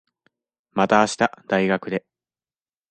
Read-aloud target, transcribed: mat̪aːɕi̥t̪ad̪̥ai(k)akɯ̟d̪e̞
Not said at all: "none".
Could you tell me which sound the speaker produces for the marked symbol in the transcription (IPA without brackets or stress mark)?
ɡ